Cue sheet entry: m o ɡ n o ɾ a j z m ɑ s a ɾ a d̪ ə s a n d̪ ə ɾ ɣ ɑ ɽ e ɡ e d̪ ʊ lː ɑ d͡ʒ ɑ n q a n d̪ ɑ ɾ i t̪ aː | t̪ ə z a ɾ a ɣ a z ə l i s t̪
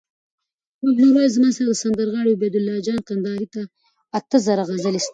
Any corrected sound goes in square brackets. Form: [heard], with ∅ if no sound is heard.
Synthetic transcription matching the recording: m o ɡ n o ɾ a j z m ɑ s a ɾ a d̪ ə s a n d̪ ə ɾ ɣ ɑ ɽ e [b] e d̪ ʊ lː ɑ d͡ʒ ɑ n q a n d̪ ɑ ɾ i t̪ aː | t̪ ə z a ɾ a ɣ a z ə l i s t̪